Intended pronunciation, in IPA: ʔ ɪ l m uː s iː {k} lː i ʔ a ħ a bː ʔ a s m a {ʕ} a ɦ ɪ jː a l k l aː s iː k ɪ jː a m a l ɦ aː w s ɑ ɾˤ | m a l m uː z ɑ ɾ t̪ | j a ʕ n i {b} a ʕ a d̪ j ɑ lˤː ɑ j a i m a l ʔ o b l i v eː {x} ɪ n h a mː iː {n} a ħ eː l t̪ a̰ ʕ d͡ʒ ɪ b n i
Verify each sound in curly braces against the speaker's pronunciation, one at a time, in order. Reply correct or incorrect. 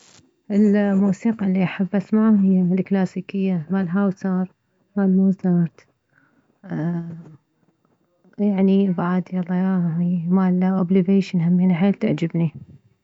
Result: incorrect: q, correct, correct, incorrect: ʃ, correct

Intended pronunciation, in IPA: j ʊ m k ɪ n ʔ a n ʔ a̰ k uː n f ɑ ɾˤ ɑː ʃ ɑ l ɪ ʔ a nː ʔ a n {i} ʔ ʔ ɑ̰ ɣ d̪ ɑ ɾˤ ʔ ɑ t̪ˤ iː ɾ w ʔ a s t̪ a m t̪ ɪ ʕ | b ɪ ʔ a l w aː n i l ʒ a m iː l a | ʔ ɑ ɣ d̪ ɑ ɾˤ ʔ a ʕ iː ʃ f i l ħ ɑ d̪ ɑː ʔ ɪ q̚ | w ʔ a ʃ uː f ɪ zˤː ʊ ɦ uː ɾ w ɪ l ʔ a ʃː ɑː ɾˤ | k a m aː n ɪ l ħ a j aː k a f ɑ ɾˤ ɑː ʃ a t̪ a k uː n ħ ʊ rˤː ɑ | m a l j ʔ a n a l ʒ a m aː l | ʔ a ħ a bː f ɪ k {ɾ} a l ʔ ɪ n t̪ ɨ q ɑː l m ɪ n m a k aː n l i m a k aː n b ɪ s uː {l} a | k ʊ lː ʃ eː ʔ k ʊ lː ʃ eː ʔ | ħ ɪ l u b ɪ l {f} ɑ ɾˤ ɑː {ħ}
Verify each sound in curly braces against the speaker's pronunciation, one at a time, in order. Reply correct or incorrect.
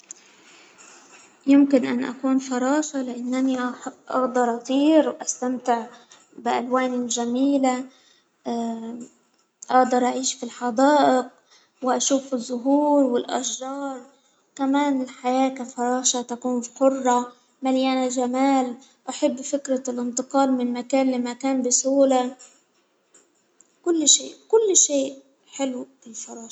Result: correct, correct, correct, correct, incorrect: ʃ

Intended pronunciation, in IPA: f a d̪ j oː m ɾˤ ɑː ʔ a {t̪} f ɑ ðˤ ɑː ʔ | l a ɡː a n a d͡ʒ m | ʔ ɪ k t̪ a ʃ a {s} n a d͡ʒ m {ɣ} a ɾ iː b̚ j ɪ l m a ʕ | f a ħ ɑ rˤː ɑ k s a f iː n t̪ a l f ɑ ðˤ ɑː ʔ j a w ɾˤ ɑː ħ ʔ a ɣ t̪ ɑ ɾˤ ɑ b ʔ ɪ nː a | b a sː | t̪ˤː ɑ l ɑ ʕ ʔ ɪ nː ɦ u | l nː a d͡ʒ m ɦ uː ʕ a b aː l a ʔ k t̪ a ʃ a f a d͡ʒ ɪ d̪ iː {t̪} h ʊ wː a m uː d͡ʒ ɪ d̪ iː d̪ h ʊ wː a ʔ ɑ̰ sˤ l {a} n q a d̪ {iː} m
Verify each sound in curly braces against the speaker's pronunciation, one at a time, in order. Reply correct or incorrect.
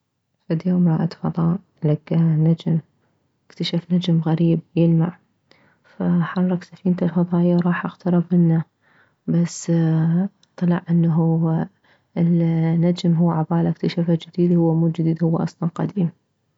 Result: correct, incorrect: f, correct, incorrect: d̪, incorrect: ɑ, correct

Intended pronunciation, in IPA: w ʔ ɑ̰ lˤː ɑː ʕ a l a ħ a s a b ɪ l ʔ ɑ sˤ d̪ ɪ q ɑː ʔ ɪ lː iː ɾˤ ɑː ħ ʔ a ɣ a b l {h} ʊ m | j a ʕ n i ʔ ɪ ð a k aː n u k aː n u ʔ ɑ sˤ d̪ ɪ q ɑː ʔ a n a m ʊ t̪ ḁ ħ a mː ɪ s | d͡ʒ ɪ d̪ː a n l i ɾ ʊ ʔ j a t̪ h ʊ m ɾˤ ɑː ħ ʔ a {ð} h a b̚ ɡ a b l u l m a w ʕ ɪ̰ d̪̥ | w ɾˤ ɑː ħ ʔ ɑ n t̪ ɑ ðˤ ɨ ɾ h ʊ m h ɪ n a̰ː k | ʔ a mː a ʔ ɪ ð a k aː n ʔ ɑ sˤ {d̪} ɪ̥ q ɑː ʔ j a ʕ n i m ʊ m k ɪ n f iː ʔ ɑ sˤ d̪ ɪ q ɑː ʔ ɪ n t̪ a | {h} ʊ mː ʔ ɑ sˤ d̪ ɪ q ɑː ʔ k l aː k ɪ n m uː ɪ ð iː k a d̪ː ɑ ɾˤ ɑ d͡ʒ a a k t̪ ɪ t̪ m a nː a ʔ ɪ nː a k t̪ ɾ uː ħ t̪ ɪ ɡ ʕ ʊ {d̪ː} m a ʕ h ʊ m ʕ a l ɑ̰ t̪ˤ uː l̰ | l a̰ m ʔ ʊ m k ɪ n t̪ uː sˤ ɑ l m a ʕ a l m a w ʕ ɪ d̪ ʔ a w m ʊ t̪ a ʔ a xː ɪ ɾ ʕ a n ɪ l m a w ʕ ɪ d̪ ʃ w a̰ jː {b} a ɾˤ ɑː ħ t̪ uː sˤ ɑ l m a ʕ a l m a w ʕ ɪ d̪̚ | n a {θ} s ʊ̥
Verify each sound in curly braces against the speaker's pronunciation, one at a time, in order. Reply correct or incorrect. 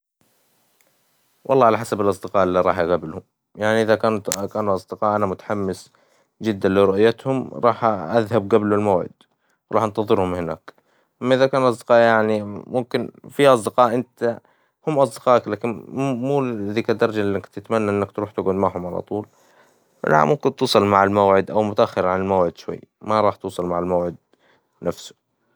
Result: correct, correct, correct, correct, incorrect: d̪, incorrect: m, incorrect: f

